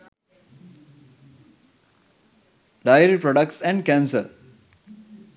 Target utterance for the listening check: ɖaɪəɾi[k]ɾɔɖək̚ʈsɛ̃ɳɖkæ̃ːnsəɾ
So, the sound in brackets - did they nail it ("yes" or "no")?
no